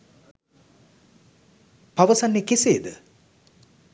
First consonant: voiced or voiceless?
voiceless